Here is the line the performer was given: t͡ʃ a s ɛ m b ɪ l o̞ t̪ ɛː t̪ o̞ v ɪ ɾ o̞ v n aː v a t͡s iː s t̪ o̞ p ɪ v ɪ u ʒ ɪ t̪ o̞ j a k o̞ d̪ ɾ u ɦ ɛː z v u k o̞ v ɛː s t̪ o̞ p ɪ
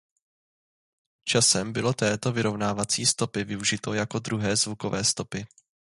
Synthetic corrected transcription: t͡ʃ a s ɛ m b ɪ l o̞ t̪ ɛː t̪ o̞ v ɪ ɾ o̞ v n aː v a t͡s iː s t̪ o̞ p ɪ v ɪ u ʒ ɪ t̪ o̞ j a k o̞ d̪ ɾ u ɦ ɛː z v u k o̞ v ɛː s t̪ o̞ p ɪ

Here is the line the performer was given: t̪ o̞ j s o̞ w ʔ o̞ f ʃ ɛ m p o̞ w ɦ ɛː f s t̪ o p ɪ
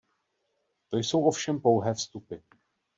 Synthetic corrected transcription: t̪ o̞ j s o̞ w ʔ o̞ f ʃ ɛ m p o̞ w ɦ ɛː f s t̪ u p ɪ

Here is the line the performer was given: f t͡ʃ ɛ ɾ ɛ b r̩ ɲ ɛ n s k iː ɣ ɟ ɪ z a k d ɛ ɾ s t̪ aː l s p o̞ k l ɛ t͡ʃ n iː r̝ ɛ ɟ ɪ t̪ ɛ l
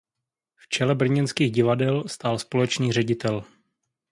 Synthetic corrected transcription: f t͡ʃ ɛ l ɛ b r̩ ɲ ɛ n s k iː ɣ ɟ ɪ v a d ɛ l s t̪ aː l s p o̞ l ɛ t͡ʃ n iː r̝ ɛ ɟ ɪ t̪ ɛ l

